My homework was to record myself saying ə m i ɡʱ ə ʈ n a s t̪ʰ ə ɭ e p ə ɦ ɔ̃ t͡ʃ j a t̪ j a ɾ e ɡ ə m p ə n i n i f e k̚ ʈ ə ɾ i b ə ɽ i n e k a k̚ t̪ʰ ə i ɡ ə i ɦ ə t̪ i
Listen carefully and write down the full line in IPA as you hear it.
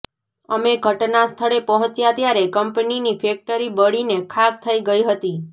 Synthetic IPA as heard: ə m e ɡʱ ə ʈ n a s t̪ʰ ə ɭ e p ə ɦ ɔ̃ t͡ʃ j a t̪ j a ɾ e k ə m p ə n i n i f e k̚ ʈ ə ɾ i b ə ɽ i n e kʰ a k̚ t̪ʰ ə i ɡ ə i ɦ ə t̪ i

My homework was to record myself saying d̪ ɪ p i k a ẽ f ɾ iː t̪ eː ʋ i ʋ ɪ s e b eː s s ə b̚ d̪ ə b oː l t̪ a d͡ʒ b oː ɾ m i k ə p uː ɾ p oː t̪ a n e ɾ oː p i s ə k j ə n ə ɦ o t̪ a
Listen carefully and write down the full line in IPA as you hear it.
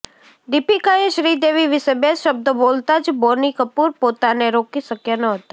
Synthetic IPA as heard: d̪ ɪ p i k a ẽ ʃ ɾ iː d̪ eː ʋ i ʋ ɪ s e b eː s ʃ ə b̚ d̪ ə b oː l t̪ a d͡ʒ b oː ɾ n i k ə p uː ɾ p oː t̪ a n e ɾ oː k i s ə k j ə n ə ɦ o t̪ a

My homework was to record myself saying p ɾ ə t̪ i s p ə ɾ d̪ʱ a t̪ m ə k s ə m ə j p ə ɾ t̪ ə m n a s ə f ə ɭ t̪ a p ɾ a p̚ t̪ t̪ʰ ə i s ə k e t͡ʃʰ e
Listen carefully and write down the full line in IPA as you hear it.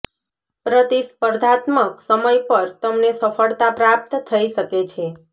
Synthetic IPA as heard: p ɾ ə t̪ i s p ə ɾ d̪ʱ a t̪ m ə k s ə m ə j p ə ɾ t̪ ə m n e s ə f ə ɭ t̪ a p ɾ a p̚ t̪ t̪ʰ ə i ʃ ə k e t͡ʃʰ e

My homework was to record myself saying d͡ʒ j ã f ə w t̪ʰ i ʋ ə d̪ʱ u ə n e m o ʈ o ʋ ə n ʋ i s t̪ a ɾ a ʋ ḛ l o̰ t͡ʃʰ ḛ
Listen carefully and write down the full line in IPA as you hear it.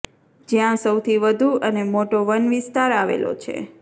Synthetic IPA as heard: d͡ʒ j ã s ə w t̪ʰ i ʋ ə d̪ʱ u ə n e m o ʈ o ʋ ə n ʋ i s t̪ a ɾ a ʋ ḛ l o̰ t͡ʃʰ ḛ

